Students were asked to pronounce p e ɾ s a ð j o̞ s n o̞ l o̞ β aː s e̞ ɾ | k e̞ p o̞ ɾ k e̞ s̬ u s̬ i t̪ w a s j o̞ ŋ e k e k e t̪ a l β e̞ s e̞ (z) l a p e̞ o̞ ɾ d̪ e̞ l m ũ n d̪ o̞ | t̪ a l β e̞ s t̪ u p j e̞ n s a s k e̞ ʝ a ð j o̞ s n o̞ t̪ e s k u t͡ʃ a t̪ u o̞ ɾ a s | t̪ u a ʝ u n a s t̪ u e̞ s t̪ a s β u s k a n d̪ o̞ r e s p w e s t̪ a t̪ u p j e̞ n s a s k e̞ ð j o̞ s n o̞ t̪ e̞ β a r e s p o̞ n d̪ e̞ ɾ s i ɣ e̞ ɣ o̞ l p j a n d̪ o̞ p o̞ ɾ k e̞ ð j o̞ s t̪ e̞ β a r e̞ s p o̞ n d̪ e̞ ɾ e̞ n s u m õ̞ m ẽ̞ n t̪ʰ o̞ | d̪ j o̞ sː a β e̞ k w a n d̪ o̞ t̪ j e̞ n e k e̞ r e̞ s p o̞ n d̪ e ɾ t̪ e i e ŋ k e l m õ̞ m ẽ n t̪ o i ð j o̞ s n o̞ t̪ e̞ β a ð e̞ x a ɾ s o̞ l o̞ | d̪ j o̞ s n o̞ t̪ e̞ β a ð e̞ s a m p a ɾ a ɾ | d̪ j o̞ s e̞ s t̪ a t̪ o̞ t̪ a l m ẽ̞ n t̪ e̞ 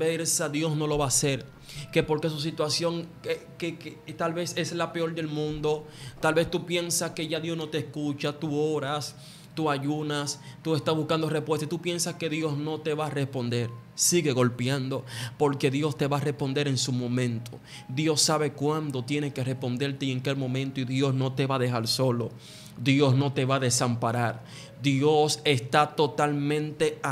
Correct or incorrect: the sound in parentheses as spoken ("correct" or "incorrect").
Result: incorrect